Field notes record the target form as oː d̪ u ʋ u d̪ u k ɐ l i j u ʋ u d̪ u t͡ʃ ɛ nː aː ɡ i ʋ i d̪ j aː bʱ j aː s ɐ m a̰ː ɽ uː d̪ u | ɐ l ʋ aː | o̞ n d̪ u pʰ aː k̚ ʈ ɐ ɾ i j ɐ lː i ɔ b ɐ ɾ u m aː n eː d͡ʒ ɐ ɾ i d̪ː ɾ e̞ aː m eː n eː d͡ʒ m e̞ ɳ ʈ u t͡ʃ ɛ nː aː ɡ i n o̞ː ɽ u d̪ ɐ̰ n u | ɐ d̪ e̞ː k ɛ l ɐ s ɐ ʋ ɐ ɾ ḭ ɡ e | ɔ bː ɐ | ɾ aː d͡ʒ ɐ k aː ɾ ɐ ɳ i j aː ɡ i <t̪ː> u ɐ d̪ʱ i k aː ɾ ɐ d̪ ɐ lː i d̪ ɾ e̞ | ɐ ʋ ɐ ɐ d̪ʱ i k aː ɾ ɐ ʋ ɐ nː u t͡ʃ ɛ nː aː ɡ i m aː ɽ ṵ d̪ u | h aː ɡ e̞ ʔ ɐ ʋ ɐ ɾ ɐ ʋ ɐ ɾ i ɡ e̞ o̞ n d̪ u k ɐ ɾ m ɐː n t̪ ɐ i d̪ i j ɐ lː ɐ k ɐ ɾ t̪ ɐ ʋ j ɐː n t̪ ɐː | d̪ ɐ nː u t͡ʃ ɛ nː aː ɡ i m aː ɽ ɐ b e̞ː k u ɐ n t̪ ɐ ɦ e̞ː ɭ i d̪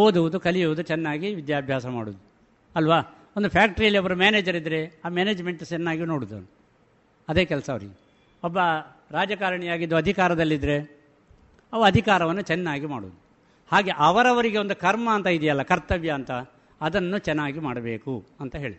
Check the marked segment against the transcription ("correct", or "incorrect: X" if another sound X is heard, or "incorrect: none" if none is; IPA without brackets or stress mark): incorrect: d̪ː